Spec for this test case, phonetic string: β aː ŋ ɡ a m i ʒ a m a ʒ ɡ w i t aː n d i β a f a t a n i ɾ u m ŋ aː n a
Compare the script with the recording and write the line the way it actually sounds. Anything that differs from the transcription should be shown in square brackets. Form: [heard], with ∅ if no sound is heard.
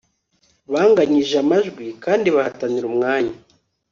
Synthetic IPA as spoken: β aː ŋ ɡ a [ɲ] i ʒ a m a ʒ ɡ w i [k] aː n d i β a [h] a t a n i ɾ u m ŋ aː [ɲ] a